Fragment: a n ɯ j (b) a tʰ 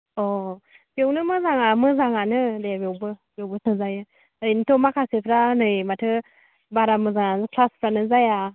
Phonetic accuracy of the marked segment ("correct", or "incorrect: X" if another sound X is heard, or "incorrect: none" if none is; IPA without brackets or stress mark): incorrect: m